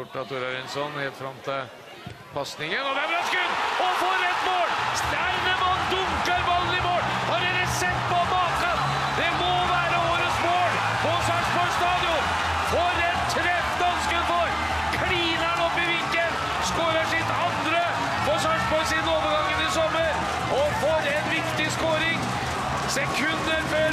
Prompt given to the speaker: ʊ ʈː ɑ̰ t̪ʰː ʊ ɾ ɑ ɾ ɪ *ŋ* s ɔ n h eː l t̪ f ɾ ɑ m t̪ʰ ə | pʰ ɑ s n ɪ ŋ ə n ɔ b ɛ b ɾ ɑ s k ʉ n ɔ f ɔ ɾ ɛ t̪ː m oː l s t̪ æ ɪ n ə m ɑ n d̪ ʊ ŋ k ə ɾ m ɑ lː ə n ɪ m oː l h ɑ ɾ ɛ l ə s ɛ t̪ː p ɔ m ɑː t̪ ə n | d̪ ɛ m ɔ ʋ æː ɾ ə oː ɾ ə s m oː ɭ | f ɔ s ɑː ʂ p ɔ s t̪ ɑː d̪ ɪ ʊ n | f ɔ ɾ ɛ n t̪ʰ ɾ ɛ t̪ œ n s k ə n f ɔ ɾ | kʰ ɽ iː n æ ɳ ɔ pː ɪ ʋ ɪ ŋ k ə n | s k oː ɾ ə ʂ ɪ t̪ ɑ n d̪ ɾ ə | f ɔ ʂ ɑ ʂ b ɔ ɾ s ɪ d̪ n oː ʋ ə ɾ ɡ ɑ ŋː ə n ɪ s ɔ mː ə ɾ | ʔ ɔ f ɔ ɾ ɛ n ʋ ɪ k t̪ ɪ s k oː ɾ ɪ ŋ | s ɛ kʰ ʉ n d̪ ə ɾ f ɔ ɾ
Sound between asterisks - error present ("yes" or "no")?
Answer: yes